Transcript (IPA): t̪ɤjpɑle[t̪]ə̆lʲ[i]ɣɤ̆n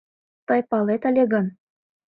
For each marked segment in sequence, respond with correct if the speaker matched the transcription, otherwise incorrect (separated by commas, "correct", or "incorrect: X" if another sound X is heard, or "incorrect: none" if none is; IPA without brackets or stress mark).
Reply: correct, incorrect: e